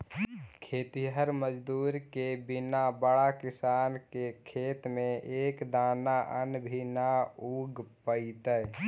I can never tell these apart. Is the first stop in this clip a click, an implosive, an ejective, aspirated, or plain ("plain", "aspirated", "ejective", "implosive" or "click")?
aspirated